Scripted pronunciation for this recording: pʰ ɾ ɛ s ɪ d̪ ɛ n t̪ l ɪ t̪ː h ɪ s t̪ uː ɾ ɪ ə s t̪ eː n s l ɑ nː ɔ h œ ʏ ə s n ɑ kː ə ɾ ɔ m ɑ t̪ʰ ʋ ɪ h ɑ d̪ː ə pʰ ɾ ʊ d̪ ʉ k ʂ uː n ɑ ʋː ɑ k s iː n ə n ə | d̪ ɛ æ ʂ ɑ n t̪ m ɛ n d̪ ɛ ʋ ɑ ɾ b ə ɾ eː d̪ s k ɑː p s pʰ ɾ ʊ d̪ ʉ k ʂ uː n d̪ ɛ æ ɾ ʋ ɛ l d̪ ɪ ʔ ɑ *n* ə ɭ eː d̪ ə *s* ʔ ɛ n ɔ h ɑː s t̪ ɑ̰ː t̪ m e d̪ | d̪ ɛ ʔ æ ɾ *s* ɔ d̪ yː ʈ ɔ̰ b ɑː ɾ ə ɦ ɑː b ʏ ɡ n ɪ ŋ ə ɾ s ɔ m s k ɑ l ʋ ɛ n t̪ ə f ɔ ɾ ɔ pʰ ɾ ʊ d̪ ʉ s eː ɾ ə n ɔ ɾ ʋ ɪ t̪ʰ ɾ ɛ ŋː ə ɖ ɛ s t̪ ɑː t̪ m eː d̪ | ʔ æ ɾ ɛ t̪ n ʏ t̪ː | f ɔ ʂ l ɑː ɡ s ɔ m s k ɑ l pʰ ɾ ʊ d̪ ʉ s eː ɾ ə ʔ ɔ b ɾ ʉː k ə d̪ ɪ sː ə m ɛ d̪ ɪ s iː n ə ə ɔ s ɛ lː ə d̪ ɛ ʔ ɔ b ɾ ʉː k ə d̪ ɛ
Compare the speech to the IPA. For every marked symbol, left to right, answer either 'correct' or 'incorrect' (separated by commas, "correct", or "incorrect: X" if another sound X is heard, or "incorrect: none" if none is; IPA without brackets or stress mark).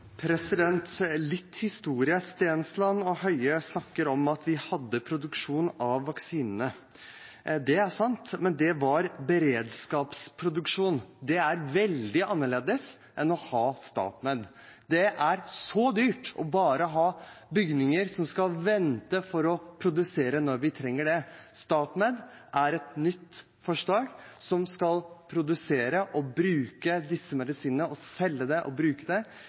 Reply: incorrect: nː, correct, correct